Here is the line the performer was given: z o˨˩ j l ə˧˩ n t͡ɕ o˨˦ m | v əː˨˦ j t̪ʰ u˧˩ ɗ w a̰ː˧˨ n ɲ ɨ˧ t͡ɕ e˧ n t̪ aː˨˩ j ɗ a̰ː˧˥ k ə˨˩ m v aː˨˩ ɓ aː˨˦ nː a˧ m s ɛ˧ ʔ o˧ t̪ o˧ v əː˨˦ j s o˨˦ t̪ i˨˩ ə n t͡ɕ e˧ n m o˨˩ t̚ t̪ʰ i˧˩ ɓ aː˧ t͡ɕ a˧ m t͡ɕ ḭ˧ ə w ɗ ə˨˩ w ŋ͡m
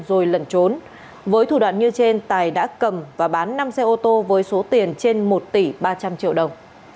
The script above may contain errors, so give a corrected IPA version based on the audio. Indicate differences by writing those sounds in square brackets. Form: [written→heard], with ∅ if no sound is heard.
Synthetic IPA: z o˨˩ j l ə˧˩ n t͡ɕ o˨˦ [m→n] | v əː˨˦ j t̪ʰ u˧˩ ɗ w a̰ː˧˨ n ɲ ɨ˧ t͡ɕ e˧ n t̪ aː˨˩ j ɗ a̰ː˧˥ k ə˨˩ m v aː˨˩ ɓ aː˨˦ nː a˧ m s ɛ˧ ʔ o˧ t̪ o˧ v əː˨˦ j s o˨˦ t̪ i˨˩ ə n t͡ɕ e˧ n m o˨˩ t̚ [t̪ʰ→t̪] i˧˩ ɓ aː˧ t͡ɕ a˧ m t͡ɕ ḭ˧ ə w ɗ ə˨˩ w ŋ͡m